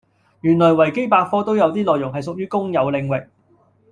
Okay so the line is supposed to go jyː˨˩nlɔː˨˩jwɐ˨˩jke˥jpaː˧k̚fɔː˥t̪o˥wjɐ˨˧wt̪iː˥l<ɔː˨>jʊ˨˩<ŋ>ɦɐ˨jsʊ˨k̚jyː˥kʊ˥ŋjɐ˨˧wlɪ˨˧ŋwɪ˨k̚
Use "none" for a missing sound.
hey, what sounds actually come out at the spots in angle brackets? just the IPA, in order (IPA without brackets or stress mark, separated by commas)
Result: ɔː˨, ŋ